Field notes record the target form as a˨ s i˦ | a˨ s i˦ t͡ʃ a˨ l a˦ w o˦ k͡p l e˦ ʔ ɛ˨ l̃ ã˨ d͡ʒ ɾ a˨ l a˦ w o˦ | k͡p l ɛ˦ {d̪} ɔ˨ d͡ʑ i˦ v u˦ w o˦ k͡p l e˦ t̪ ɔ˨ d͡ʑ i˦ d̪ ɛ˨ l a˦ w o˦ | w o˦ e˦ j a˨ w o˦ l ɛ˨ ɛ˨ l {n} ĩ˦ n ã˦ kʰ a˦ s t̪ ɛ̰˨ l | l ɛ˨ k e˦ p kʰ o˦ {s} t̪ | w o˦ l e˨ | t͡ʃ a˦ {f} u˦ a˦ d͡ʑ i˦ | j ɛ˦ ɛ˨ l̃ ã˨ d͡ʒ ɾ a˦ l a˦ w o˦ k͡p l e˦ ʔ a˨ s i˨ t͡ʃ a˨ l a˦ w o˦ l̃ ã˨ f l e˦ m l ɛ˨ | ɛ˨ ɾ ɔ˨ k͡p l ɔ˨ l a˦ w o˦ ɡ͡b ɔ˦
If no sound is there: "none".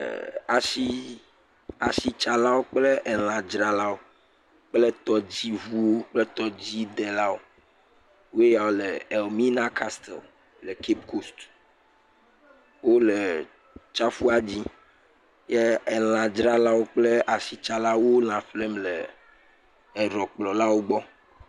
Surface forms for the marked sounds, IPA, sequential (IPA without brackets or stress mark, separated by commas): t̪, m, s, f